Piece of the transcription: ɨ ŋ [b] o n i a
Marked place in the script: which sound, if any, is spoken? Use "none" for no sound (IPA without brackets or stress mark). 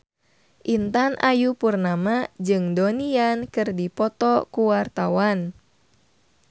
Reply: d